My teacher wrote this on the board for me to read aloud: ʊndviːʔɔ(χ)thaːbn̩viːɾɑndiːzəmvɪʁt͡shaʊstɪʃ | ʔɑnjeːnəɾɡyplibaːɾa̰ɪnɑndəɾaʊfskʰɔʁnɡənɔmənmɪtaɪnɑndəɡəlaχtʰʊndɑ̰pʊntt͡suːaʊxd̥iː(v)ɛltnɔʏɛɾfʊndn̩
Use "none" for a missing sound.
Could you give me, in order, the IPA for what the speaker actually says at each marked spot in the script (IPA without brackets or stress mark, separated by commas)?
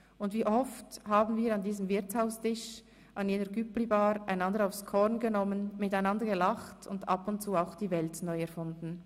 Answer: f, v